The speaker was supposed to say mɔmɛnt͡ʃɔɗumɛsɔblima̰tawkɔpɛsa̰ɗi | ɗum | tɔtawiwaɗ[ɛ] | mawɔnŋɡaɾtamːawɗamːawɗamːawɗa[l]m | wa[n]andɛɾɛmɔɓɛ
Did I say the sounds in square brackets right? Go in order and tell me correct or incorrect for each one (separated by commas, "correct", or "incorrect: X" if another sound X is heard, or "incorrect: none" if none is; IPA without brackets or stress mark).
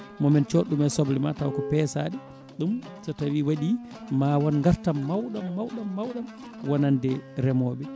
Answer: incorrect: i, incorrect: none, correct